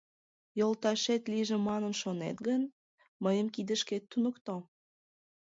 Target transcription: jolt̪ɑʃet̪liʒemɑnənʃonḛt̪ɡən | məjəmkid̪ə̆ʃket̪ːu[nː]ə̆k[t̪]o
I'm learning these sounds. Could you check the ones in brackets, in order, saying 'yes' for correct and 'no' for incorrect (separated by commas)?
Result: no, yes